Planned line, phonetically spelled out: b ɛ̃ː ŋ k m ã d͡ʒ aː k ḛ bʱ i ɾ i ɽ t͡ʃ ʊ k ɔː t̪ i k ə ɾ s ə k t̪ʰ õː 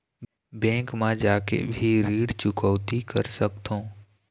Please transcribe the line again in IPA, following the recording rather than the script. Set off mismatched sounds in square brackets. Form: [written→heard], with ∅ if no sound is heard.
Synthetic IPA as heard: b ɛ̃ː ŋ k m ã d͡ʒ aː k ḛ bʱ i ɾ [i→iː] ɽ t͡ʃ ʊ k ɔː t̪ i k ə ɾ s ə k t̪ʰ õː